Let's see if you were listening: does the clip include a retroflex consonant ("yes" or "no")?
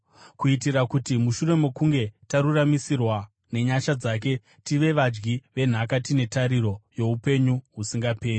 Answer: no